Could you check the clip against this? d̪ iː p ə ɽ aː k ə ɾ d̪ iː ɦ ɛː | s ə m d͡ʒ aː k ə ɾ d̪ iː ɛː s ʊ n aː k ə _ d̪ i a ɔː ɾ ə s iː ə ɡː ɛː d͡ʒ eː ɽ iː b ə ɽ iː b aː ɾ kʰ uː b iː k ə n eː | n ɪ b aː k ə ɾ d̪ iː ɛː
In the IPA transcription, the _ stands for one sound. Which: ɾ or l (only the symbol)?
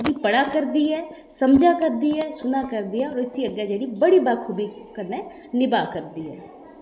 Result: ɾ